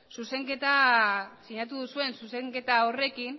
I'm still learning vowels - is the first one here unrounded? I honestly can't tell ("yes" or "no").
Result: no